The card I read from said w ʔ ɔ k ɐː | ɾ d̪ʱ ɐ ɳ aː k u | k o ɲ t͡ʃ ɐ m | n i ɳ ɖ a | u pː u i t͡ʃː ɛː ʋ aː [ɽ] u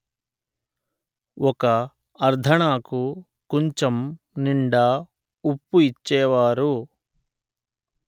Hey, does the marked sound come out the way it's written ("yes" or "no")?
no